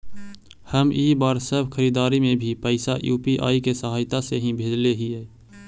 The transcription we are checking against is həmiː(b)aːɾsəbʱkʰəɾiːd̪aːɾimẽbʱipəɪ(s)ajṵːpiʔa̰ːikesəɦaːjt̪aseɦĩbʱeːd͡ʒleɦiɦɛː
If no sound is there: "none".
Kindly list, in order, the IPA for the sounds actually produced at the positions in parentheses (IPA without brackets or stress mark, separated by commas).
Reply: b, s